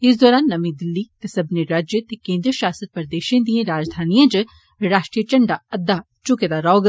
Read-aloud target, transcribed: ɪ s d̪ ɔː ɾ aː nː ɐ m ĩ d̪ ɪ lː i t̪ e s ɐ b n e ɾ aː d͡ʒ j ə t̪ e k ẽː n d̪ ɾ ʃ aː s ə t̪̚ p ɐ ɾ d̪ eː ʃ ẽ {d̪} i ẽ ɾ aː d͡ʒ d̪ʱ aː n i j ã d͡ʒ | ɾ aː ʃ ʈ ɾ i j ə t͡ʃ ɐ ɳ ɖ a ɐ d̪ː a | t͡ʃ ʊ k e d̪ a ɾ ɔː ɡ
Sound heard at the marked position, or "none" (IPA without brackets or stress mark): d̪